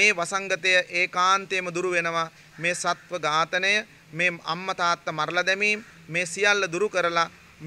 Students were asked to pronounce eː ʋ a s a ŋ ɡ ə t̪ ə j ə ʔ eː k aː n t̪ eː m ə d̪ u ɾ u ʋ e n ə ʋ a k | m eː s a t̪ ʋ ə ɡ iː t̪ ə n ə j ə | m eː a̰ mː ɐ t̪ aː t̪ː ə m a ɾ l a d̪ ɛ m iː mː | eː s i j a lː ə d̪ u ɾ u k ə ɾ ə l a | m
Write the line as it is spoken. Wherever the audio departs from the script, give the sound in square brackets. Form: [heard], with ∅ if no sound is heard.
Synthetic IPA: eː ʋ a s a ŋ ɡ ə t̪ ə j ə ʔ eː k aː n t̪ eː m ə d̪ u ɾ u ʋ e n ə ʋ a [∅] | m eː s a t̪ ʋ ə ɡ [aː] t̪ ə n ə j ə | m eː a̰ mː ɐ t̪ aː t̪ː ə m a ɾ l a d̪ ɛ m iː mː | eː s i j a lː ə d̪ u ɾ u k ə ɾ ə l a | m